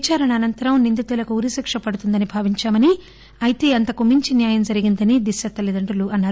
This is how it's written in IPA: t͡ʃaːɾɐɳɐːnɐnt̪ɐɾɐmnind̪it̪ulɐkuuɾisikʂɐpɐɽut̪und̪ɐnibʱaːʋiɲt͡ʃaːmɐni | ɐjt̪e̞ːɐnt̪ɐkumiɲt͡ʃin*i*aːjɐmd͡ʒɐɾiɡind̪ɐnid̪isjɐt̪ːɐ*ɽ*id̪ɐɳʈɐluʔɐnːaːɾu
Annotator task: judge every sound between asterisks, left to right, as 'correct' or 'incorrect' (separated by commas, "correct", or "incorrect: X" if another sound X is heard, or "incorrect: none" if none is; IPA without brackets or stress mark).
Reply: incorrect: j, incorrect: l